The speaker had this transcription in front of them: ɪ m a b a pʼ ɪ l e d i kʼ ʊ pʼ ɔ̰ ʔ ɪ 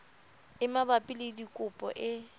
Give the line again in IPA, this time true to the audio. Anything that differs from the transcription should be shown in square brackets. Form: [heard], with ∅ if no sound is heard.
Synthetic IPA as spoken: ɪ m a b a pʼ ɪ l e d i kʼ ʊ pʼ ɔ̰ ʔ ɪ